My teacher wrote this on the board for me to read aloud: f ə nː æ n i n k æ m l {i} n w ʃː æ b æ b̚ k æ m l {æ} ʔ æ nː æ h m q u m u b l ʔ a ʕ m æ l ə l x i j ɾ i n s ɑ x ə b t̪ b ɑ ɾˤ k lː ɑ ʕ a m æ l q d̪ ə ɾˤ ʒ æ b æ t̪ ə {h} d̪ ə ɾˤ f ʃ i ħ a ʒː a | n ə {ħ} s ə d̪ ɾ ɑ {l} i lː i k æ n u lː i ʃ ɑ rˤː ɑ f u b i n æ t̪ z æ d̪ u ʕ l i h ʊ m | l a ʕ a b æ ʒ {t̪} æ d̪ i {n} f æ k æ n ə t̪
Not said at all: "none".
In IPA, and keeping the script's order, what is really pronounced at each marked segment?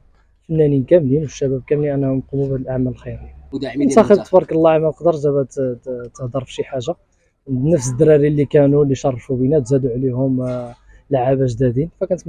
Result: i, i, h, f, ɾ, d̪, n

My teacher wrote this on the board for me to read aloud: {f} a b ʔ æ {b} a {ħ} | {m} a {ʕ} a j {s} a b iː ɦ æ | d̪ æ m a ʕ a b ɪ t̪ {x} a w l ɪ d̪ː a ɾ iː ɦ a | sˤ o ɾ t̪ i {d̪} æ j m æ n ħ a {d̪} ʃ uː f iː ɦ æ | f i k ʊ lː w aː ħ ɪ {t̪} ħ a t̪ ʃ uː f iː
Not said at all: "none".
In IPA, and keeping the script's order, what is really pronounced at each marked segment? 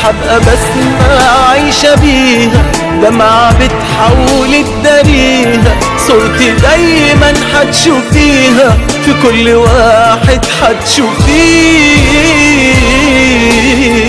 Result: ħ, b, s, m, ʕ, ʃ, ħ, d̪, t̪, d̪

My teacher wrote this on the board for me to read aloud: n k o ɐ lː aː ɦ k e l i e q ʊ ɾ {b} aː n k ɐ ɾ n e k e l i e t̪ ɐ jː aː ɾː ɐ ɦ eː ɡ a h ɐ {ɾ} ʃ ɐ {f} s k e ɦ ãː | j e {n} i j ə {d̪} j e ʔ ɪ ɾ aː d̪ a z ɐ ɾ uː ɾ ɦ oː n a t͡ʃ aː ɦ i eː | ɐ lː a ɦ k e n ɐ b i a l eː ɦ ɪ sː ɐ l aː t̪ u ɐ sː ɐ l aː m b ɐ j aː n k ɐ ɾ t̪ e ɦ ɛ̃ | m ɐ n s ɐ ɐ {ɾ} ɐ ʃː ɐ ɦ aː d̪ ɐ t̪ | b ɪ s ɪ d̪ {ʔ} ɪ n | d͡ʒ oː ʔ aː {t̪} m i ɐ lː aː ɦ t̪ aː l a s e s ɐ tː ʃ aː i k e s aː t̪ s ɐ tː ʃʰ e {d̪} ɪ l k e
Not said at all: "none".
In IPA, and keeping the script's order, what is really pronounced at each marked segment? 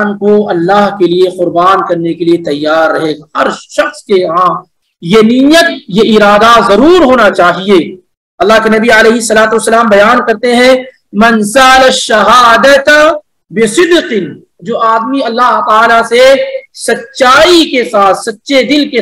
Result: b, ɾ, x, n, t̪, l, q, d̪, d̪

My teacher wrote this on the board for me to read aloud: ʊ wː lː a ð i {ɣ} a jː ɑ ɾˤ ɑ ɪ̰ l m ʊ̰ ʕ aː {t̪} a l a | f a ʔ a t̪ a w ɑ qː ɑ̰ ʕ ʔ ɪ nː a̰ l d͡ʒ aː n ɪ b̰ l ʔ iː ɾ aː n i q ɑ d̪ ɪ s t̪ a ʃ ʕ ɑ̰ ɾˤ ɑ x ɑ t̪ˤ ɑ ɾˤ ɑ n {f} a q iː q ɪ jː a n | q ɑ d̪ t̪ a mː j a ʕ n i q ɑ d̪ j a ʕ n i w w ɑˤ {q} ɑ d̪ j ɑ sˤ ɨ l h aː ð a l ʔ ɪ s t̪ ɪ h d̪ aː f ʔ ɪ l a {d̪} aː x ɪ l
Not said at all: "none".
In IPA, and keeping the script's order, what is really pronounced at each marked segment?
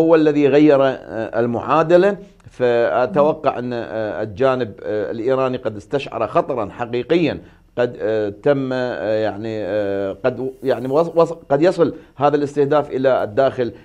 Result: ɣ, d̪, ħ, q, d̪ː

